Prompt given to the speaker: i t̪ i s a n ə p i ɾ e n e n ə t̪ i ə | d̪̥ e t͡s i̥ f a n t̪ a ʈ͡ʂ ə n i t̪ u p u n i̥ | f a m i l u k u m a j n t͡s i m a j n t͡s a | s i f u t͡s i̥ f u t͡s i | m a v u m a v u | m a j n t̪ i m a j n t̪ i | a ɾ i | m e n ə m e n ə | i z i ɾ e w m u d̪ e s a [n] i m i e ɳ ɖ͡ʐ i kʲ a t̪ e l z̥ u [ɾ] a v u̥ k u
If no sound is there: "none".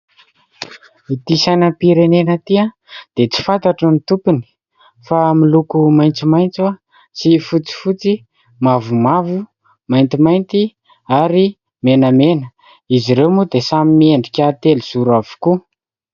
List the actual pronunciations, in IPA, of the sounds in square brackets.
m, ɾ

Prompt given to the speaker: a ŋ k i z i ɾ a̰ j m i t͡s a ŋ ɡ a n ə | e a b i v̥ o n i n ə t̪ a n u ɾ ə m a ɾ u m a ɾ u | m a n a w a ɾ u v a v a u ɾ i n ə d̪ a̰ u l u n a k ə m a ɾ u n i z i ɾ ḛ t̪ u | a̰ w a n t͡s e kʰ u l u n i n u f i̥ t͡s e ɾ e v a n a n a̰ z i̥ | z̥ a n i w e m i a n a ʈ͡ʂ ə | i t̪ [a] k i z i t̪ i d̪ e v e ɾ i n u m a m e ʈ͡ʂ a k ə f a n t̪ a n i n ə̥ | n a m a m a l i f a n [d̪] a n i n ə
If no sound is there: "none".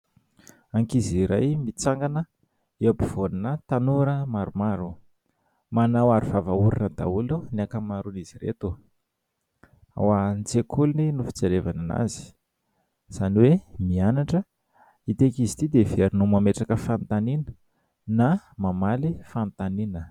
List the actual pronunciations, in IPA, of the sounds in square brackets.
e, t̪

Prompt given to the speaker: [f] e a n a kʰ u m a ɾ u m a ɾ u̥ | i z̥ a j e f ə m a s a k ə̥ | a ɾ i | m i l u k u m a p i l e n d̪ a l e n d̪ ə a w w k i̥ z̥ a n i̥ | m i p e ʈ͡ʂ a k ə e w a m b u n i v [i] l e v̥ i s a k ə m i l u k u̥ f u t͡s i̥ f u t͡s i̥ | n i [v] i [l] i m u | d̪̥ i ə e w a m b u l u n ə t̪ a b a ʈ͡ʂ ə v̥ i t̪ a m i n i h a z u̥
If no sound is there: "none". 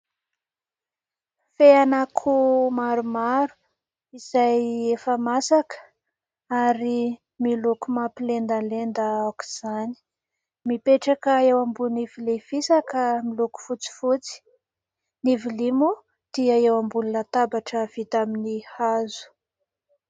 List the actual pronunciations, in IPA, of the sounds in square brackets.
f, i, v, l

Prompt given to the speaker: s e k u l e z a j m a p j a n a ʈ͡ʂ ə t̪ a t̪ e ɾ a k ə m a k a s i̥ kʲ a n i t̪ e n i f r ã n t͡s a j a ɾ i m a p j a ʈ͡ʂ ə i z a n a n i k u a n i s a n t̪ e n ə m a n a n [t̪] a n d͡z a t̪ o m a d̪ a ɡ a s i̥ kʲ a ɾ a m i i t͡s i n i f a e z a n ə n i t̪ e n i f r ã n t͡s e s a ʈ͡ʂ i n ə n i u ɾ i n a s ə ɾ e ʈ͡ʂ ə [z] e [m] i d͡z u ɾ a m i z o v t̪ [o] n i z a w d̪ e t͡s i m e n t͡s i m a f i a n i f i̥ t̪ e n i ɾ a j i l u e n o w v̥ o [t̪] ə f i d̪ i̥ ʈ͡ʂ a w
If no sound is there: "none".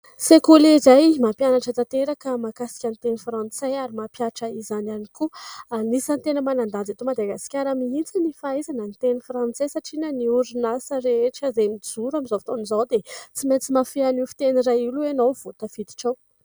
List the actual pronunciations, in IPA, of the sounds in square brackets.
d̪, z, m, o, t̪

